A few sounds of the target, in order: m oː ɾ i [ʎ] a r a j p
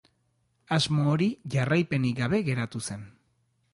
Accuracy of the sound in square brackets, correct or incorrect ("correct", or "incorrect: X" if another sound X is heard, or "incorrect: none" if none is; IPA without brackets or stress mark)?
incorrect: ʝ